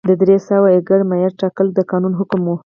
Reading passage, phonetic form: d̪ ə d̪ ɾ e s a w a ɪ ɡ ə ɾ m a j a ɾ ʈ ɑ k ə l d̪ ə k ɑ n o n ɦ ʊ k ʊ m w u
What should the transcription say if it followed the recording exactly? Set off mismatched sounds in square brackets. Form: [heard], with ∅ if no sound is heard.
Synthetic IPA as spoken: d̪ ə d̪ ɾ e s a w a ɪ ɡ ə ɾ m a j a ɾ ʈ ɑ k ə l d̪ ə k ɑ n [u] n ɦ ʊ k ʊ m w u